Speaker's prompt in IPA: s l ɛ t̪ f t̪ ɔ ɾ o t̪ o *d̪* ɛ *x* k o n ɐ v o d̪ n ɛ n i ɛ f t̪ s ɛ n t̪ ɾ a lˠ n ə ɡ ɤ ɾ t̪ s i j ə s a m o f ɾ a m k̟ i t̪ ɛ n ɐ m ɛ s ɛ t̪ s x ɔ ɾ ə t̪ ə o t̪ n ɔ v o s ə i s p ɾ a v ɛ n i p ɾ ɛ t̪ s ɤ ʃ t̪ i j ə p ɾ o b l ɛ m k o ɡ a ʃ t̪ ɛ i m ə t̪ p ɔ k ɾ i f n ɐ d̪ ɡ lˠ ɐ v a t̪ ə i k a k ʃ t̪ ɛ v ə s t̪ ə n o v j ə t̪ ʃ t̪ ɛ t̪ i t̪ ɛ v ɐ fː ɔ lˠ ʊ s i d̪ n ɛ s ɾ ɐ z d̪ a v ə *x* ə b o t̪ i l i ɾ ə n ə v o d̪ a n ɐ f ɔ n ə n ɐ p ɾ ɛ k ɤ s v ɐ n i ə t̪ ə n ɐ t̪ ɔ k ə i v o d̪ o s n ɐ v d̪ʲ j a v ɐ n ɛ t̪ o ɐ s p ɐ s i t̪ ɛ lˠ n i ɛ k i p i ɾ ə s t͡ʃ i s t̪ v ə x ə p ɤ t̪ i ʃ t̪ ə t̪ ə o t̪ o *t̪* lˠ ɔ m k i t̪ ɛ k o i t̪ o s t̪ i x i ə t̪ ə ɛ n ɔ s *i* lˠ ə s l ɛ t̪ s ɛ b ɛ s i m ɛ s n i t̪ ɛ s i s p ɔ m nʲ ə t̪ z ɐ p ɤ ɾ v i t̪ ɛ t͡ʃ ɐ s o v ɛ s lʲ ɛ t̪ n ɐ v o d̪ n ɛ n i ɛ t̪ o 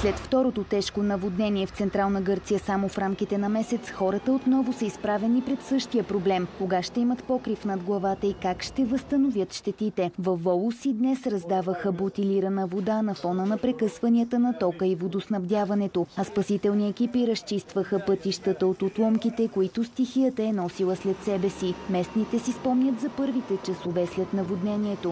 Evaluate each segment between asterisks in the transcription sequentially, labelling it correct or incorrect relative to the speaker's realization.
incorrect: t̪, incorrect: ʃ, correct, correct, correct

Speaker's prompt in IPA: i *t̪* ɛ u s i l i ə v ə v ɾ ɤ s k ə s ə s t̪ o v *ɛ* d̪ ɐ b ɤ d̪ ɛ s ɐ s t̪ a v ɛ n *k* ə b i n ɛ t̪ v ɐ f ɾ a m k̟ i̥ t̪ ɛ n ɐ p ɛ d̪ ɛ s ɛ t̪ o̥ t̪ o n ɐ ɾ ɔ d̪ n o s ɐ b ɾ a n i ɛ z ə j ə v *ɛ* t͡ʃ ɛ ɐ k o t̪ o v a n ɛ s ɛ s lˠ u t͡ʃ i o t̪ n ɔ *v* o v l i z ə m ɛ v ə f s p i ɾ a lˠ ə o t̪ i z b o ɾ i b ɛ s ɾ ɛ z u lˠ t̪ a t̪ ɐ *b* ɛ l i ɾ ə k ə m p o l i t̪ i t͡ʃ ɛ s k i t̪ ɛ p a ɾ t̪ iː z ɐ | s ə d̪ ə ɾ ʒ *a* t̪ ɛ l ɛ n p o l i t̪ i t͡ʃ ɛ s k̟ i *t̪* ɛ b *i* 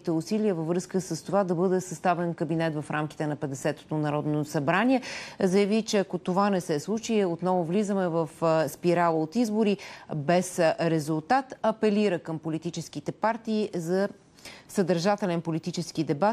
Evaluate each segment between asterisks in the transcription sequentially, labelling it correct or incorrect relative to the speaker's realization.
correct, incorrect: a, correct, incorrect: i, correct, incorrect: p, correct, incorrect: d̪, incorrect: a

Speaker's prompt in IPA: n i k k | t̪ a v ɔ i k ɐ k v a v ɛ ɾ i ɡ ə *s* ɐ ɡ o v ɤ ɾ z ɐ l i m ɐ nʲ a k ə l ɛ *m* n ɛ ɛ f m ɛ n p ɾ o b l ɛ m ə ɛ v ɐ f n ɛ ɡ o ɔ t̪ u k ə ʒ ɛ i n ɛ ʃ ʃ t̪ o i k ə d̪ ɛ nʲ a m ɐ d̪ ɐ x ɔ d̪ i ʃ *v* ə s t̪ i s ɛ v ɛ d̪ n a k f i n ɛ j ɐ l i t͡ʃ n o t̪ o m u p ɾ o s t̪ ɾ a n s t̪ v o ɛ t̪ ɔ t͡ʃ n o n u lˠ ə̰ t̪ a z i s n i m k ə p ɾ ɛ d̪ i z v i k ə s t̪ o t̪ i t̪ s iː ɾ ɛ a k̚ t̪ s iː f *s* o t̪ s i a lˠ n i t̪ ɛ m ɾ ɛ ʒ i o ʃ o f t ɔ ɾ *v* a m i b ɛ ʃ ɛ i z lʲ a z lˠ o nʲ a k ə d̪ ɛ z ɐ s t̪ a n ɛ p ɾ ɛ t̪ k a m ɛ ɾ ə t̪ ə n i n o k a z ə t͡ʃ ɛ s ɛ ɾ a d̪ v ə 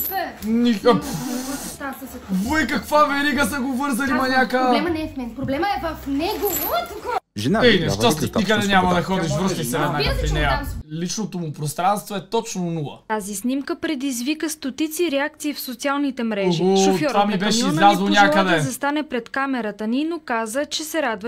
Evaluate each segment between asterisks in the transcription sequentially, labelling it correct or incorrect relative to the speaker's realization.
correct, correct, correct, correct, correct

